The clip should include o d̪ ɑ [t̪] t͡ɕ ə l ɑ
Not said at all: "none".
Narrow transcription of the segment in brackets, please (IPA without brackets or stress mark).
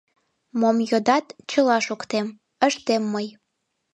t̪